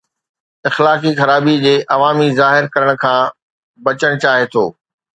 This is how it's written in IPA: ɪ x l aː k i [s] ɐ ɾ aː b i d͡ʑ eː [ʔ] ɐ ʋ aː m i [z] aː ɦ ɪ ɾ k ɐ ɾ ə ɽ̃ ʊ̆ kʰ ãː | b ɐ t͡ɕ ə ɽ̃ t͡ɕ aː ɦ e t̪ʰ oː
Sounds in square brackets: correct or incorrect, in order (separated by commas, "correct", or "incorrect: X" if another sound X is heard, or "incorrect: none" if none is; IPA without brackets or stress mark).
incorrect: x, correct, correct